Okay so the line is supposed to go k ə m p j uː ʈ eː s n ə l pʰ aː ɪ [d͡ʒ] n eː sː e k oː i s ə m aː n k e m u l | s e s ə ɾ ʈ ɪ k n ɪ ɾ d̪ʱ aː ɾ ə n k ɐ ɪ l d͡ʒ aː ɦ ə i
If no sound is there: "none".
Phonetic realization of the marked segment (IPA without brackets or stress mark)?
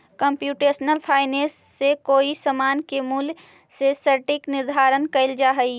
none